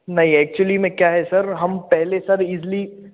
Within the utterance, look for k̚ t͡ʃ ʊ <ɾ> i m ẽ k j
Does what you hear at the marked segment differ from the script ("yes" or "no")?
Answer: yes